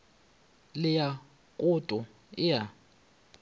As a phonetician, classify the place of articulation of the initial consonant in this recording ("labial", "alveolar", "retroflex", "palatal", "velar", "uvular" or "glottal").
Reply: alveolar